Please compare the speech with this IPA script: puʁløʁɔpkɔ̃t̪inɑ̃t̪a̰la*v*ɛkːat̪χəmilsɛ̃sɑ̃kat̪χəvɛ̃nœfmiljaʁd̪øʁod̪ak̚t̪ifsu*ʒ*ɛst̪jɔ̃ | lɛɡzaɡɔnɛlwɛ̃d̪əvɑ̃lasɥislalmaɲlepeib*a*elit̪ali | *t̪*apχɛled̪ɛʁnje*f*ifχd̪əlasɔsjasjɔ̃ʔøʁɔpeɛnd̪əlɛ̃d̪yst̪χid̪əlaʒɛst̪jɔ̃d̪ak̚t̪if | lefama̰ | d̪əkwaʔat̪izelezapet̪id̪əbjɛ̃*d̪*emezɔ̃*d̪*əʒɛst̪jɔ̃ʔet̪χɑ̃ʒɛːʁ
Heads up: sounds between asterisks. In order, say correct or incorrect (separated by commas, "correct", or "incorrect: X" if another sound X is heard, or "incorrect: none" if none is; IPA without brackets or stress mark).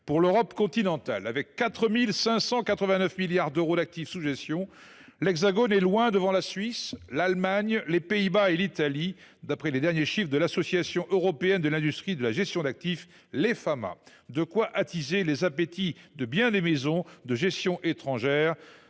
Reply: correct, correct, correct, incorrect: d̪, incorrect: ʃ, correct, correct